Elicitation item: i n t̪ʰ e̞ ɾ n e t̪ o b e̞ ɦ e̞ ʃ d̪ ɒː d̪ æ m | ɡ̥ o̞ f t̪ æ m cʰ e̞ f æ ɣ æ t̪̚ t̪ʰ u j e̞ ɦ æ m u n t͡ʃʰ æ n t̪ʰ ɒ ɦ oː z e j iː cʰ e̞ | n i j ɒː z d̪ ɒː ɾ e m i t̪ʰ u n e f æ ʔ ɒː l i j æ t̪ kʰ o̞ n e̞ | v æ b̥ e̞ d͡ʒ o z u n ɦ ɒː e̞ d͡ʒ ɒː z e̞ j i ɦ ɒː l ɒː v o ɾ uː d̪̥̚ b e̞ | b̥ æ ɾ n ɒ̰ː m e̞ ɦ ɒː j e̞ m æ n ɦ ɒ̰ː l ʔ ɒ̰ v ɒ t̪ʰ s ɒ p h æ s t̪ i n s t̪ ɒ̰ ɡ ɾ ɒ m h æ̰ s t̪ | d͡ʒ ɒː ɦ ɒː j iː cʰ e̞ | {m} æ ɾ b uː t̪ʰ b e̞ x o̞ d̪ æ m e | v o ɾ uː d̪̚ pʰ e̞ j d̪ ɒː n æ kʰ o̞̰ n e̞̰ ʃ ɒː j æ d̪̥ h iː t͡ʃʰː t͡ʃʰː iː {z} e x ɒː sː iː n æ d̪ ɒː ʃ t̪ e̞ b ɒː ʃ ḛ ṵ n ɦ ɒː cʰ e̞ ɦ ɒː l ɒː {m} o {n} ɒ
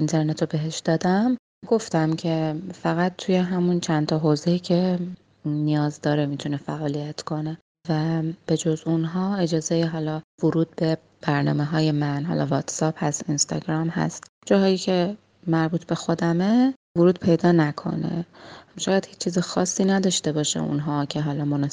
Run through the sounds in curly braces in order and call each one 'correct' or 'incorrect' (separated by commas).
correct, correct, correct, correct